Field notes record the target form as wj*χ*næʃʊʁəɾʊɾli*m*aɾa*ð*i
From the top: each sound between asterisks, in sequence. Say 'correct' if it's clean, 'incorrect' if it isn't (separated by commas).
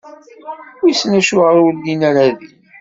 incorrect, incorrect, correct